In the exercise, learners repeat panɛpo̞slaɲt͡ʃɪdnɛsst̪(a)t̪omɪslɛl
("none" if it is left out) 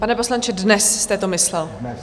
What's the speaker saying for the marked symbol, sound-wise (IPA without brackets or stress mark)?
ɛ